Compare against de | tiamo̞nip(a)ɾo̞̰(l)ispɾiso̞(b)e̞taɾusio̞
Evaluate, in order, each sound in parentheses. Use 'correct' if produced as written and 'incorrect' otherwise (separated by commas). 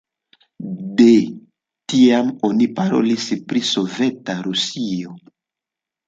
correct, correct, incorrect